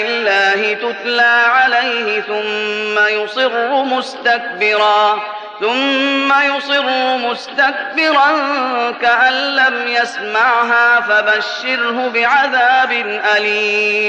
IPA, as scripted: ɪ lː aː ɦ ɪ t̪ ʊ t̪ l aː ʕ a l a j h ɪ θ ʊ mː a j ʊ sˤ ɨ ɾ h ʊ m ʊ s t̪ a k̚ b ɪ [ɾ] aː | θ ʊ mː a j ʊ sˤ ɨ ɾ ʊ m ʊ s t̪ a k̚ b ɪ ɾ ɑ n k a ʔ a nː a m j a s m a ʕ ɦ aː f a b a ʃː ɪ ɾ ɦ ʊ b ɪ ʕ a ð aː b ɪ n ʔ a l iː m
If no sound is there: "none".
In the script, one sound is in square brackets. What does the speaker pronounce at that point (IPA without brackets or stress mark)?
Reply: ɾ